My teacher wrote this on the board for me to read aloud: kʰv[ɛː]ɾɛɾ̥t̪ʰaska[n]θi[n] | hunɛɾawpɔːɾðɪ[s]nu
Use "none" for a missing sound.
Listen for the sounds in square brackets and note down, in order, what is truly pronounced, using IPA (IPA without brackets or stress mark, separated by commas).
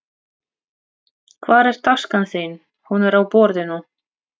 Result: aː, n, n, none